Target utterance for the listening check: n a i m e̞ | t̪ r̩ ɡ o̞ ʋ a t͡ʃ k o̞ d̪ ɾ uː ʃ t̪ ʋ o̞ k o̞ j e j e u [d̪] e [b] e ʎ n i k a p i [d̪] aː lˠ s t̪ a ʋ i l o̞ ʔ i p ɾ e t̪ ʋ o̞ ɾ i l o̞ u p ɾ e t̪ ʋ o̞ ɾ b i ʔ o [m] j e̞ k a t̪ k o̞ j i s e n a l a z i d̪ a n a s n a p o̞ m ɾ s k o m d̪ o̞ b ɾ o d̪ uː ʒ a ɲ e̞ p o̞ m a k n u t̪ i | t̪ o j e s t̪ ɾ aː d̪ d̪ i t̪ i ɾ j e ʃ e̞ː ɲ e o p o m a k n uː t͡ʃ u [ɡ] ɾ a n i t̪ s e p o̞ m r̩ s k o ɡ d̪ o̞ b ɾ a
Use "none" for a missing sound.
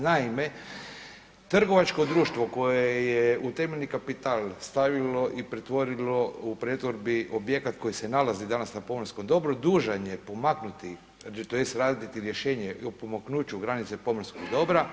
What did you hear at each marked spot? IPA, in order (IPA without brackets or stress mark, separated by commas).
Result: t̪, m, t̪, b, ɡ